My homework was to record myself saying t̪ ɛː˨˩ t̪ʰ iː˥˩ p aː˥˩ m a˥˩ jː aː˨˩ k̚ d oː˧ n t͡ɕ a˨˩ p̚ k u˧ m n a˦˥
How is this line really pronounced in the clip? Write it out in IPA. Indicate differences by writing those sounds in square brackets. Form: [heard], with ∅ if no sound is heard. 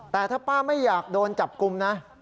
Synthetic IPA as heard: t̪ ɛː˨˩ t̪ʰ [aː˥˩] p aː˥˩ m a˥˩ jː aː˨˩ k̚ d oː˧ n t͡ɕ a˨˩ p̚ k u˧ m n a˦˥